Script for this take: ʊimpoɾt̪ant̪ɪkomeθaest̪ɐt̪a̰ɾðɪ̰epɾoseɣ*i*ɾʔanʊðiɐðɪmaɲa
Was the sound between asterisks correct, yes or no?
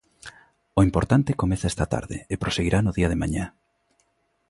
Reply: yes